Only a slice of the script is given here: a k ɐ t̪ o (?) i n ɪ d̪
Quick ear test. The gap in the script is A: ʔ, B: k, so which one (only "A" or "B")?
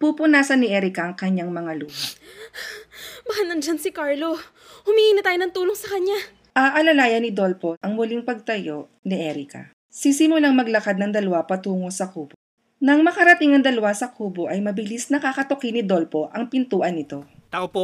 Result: B